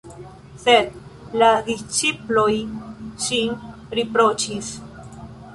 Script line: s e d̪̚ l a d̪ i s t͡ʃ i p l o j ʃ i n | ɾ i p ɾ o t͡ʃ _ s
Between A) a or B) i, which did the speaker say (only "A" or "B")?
B